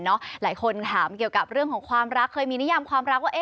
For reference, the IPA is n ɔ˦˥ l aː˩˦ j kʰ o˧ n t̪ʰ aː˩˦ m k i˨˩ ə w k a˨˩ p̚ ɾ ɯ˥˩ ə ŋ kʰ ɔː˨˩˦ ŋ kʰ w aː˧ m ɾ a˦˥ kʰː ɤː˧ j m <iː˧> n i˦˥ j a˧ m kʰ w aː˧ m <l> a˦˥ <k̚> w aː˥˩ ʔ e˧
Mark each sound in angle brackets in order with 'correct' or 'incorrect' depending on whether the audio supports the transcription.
correct, incorrect, correct

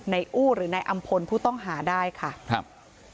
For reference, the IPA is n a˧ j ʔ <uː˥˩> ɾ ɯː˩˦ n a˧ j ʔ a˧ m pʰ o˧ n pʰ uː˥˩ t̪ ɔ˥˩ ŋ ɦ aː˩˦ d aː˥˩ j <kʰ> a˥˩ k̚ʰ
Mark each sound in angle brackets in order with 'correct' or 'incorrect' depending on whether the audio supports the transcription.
correct, correct

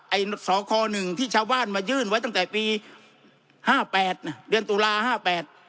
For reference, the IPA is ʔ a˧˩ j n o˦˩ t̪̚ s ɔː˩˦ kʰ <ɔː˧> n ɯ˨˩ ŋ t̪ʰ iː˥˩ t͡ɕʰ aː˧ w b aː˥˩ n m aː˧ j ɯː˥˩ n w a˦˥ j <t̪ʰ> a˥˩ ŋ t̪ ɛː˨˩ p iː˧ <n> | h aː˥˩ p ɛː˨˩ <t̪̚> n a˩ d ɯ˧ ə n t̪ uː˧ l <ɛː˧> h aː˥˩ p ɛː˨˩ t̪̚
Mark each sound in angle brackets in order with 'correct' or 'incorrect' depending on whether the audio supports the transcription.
correct, incorrect, incorrect, correct, incorrect

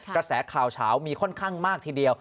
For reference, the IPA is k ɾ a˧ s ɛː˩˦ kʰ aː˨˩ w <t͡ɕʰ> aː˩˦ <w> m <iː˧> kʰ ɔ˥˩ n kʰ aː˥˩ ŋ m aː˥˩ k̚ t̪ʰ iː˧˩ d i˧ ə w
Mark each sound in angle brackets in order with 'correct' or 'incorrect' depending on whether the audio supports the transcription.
correct, correct, correct

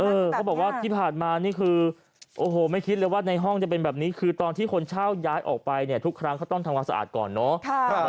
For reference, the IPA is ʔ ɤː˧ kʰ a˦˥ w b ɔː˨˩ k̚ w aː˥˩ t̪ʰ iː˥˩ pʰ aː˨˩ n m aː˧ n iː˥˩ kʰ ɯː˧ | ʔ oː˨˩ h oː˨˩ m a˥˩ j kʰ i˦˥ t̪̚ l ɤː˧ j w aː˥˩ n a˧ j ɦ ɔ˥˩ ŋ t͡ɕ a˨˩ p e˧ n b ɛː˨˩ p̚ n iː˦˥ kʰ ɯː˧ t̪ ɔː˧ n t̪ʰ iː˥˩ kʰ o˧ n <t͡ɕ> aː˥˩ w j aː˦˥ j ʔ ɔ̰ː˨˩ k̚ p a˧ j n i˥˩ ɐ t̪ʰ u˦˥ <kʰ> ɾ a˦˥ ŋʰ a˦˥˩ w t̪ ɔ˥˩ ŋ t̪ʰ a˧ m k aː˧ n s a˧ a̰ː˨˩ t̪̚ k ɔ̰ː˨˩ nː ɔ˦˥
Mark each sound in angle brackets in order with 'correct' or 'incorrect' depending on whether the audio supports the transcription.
incorrect, correct

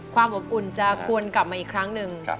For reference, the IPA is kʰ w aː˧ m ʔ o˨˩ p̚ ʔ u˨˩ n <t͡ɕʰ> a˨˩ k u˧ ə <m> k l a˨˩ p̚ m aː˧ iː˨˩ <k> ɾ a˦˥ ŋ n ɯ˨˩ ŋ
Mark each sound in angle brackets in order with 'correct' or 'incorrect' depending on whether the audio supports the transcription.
incorrect, incorrect, incorrect

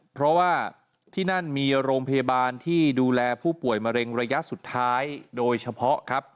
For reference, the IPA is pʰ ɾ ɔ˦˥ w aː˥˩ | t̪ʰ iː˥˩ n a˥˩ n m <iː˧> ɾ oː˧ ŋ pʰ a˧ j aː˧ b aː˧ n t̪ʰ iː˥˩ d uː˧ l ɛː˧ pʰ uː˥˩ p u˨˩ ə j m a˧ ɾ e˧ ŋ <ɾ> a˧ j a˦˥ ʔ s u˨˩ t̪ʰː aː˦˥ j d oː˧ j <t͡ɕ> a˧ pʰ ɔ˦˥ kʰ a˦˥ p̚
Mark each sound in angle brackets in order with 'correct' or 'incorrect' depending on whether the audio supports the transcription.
correct, correct, incorrect

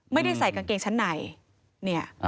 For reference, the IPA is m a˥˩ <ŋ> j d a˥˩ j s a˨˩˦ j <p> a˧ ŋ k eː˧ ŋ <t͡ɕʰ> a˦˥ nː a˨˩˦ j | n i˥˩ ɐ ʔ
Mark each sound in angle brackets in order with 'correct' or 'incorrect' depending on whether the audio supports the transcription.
incorrect, incorrect, correct

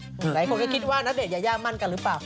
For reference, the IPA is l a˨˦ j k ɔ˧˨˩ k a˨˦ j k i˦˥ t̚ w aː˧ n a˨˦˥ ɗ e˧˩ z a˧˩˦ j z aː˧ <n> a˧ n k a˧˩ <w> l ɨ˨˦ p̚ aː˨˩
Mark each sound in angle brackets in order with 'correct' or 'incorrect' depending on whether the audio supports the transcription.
incorrect, incorrect

